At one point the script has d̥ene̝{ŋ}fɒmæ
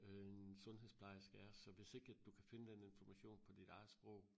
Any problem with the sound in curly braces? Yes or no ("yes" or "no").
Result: yes